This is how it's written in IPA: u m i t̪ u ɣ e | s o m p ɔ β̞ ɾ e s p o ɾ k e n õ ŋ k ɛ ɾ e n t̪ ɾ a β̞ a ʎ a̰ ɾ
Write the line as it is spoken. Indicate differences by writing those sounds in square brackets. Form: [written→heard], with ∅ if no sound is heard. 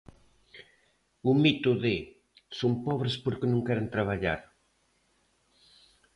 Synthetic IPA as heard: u m i t̪ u [ɣ→ð] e | s o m p ɔ β̞ ɾ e s p o ɾ k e n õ ŋ k ɛ ɾ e n t̪ ɾ a β̞ a ʎ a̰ ɾ